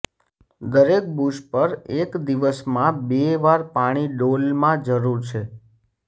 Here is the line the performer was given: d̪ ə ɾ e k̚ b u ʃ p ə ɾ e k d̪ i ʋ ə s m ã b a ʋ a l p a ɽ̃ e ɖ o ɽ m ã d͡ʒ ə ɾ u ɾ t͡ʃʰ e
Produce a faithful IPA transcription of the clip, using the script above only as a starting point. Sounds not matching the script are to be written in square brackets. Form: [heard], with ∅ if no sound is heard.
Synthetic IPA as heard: d̪ ə ɾ e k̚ b u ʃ p ə ɾ e k d̪ i ʋ ə s m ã b [e] ʋ a [ɾ] p a ɽ̃ [i] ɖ o [l] m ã d͡ʒ ə ɾ u ɾ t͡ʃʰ e